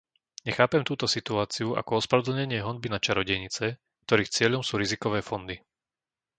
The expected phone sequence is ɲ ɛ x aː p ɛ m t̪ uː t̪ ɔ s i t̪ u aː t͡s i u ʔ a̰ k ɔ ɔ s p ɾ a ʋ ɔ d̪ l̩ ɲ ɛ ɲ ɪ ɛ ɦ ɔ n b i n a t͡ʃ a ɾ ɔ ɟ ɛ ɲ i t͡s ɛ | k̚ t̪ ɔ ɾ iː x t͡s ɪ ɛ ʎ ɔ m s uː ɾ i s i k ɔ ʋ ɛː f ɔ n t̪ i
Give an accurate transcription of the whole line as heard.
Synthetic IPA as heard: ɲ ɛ x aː p ɛ m t̪ uː t̪ ɔ s i t̪ u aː t͡s i u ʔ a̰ k ɔ ɔ s p ɾ a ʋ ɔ d̪ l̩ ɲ ɛ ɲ ɪ ɛ ɦ ɔ n b i n a t͡ʃ a ɾ ɔ ɟ ɛ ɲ i t͡s ɛ | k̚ t̪ ɔ ɾ iː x t͡s ɪ ɛ ʎ ɔ m s uː ɾ i z i k ɔ ʋ ɛː f ɔ n d̪ i

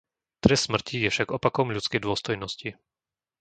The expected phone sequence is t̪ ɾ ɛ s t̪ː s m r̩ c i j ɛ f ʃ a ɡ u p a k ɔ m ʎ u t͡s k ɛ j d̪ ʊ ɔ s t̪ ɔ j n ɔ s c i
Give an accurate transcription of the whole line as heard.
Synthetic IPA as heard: t̪ ɾ ɛ s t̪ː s m r̩ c i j ɛ f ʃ a ɡ ɔ p a k ɔ m ʎ u t͡s k ɛ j d̪ ʊ ɔ s t̪ ɔ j n ɔ s c i

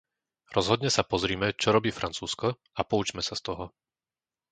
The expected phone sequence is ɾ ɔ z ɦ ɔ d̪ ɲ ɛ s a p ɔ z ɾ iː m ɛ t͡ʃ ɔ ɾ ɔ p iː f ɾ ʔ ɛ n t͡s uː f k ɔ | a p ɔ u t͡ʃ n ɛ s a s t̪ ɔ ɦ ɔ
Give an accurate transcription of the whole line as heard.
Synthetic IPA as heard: ɾ ɔ z ɦ ɔ d̪ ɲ ɛ s a p ɔ z ɾ iː m ɛ t͡ʃ ɔ ɾ ɔ b iː f ɾ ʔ a n t͡s uː s k ɔ | a p ɔ u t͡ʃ m ɛ s a s t̪ ɔ ɦ ɔ

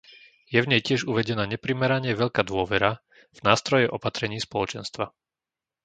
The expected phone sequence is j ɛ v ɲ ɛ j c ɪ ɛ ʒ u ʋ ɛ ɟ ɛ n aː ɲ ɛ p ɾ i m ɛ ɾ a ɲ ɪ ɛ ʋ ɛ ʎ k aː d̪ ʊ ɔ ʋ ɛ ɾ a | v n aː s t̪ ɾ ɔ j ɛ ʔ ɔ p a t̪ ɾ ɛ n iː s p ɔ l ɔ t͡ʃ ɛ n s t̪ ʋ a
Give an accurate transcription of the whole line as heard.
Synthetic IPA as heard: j ɛ v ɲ ɛ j c ɪ ɛ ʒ u ʋ ɛ ɟ ɛ n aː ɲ ɛ p ɾ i m ɛ ɾ a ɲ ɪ ɛ ʋ ɛ ʎ k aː d̪ ʊ ɔ ʋ ɛ ɾ a | v n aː s t̪ ɾ ɔ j ɛ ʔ ɔ p a t̪ ɾ ɛ ɲ iː s p ɔ l ɔ t͡ʃ ɛ n s t̪ ʋ a

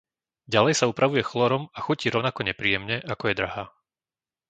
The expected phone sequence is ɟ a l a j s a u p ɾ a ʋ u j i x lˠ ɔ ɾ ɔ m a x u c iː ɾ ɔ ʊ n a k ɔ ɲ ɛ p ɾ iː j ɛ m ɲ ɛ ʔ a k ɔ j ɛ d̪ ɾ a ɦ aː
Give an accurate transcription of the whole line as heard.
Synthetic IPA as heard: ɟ a l ɛ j s a u p ɾ a ʋ u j ɛ x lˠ ɔ ɾ ɔ m a x u c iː ɾ ɔ ʊ n a k ɔ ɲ ɛ p ɾ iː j ɛ m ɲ ɛ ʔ a k ɔ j ɛ d̪ ɾ a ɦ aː

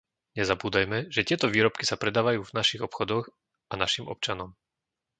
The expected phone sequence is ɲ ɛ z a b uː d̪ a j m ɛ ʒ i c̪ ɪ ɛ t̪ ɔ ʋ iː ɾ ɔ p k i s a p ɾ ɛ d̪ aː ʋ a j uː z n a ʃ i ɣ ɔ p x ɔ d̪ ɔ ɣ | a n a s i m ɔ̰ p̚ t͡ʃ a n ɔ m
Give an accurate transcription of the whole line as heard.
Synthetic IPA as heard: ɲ ɛ z a b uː d̪ a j m ɛ ʒ ɛ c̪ ɪ ɛ t̪ ɔ ʋ iː ɾ ɔ p k i s a p ɾ ɛ d̪ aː ʋ a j uː v n a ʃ i ɣ ɔ p x ɔ d̪ ɔ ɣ | a n a ʃ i m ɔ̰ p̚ t͡ʃ a n ɔ m

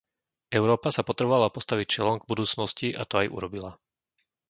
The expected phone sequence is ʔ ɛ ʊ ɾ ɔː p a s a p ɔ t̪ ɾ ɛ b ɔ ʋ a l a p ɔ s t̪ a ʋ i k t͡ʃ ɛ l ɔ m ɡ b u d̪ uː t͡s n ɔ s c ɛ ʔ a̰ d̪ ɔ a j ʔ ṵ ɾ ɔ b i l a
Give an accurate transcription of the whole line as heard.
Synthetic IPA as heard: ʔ ɛ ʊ ɾ ɔː p a s a p ɔ t̪ ɾ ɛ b ɔ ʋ a l a p ɔ s t̪ a ʋ i c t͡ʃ ɛ l ɔ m ɡ b u d̪ uː t͡s n ɔ s c i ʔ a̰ t̪ ɔ a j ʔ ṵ ɾ ɔ b i l a

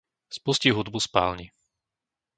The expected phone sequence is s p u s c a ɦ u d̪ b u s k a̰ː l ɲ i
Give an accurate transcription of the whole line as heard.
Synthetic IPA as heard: s p u s c i ɦ u d̪ b u s p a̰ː l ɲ i

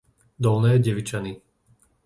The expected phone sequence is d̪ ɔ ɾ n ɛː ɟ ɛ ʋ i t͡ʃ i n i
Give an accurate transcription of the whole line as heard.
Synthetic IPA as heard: d̪ ɔ l n ɛː ɟ ɛ ʋ i t͡ʃ a n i

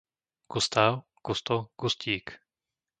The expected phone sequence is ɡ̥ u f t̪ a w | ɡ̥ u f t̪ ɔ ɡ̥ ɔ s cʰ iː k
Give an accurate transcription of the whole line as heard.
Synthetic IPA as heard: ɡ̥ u s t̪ a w | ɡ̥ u s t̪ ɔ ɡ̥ u s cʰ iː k

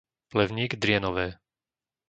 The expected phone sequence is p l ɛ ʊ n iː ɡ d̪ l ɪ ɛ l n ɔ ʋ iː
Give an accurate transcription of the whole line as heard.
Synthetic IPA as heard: p l ɛ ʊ ɲ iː ɡ d̪ ɾ ɪ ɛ n ɔ ʋ ɛː

